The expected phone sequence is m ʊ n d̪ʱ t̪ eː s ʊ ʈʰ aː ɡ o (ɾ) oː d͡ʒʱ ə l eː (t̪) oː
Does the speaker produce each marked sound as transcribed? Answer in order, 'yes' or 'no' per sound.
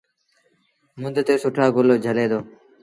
no, no

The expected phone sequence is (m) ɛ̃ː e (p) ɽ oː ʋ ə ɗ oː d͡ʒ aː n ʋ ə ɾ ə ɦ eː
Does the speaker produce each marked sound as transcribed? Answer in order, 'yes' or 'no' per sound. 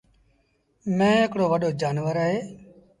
yes, no

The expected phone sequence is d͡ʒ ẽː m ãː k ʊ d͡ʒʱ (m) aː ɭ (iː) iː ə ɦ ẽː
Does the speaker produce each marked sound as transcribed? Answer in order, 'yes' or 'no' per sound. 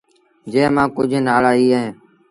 no, no

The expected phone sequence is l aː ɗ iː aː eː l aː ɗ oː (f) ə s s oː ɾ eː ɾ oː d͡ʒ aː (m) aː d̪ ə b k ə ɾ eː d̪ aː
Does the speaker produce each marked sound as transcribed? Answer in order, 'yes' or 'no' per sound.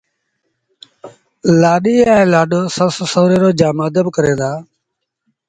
no, yes

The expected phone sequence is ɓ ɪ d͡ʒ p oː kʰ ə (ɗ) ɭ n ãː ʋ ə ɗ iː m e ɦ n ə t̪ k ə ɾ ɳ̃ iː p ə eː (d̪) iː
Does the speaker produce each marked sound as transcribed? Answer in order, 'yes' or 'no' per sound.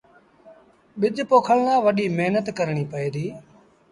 no, yes

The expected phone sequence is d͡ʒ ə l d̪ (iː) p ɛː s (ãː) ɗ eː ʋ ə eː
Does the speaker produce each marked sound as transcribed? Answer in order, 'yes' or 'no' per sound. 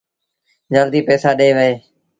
yes, no

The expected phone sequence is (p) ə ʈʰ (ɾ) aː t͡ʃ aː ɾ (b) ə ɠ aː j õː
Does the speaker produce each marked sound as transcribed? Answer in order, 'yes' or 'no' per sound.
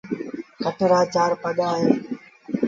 no, yes, no

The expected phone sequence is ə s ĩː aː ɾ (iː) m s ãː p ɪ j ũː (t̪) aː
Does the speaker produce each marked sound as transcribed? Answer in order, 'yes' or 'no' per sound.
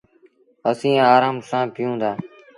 no, no

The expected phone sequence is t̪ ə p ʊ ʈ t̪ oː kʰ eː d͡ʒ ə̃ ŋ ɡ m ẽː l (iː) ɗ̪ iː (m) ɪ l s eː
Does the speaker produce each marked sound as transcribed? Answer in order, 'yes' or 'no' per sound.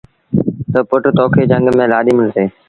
no, yes

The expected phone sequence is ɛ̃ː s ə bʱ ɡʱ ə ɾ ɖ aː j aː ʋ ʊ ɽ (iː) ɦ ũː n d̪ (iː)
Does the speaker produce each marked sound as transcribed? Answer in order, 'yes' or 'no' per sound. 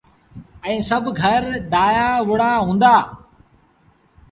no, no

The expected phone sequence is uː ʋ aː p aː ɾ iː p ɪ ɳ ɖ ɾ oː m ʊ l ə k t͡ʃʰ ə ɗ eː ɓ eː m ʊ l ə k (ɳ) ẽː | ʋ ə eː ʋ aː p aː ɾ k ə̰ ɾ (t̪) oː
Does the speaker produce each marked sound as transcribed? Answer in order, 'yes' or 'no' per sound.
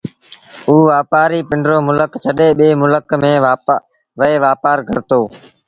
no, yes

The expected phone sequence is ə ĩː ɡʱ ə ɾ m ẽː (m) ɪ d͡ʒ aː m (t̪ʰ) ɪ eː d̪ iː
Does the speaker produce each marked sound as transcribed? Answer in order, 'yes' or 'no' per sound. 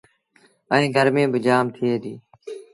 no, yes

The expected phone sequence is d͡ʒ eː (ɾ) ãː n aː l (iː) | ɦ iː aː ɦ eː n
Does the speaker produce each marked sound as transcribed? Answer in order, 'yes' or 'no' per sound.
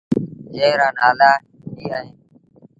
yes, no

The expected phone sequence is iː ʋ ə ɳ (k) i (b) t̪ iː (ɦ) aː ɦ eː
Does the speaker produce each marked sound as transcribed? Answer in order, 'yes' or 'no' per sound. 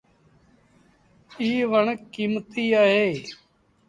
yes, no, no

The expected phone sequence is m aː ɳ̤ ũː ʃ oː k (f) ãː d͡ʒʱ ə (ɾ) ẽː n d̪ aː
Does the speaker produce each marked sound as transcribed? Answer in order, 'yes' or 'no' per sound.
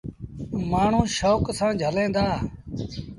no, no

